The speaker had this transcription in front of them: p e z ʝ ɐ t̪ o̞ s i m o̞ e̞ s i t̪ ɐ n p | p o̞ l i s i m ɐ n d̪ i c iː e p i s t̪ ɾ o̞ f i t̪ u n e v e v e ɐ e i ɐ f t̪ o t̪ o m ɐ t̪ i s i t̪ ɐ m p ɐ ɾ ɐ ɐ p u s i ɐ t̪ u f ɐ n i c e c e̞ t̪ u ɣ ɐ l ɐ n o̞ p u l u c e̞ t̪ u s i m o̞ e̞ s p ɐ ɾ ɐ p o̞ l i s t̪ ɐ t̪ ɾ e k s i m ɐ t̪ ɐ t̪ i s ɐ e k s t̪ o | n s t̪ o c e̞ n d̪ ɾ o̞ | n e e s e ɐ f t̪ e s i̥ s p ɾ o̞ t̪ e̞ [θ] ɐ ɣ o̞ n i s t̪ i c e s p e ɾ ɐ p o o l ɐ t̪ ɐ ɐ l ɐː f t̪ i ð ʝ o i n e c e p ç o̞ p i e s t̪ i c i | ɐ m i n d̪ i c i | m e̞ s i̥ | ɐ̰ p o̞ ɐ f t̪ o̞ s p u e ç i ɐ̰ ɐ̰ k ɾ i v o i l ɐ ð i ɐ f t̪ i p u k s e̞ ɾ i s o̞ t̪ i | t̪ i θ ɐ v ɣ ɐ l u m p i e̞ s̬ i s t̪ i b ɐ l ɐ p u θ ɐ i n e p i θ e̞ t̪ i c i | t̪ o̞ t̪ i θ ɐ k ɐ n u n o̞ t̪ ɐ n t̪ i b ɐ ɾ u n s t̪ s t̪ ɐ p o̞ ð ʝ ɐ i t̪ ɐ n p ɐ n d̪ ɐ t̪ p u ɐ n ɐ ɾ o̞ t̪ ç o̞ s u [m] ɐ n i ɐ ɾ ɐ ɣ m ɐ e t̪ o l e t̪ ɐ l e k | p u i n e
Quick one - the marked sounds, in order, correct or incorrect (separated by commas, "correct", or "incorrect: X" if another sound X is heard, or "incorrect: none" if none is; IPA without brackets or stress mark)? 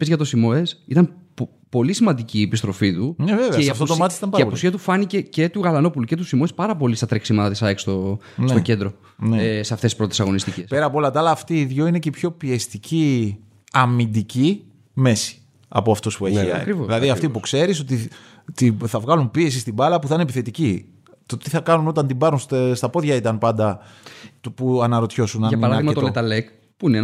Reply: incorrect: s, incorrect: n